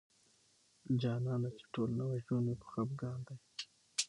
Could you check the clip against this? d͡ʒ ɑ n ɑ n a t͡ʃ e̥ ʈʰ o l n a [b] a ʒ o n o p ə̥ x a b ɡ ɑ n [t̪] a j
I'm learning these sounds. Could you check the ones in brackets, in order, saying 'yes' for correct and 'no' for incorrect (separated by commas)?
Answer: no, no